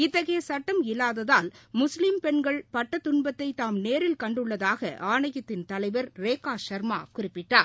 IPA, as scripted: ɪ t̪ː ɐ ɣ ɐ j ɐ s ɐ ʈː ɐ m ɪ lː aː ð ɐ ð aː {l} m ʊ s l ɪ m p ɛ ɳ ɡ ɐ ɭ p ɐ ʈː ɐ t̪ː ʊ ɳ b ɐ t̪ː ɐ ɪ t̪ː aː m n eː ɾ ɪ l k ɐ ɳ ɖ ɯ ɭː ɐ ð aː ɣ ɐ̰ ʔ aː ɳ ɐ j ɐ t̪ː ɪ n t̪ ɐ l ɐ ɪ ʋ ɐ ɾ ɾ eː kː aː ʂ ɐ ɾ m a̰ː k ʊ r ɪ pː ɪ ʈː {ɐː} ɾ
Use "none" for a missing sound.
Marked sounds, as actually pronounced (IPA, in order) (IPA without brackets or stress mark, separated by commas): l, aː